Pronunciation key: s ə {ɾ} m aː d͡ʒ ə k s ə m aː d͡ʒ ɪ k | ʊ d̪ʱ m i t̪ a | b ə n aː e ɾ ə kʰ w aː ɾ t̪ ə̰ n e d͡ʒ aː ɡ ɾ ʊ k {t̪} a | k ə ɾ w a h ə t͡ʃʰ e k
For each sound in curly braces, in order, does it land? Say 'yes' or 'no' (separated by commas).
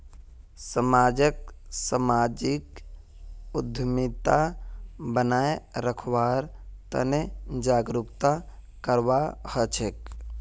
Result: no, yes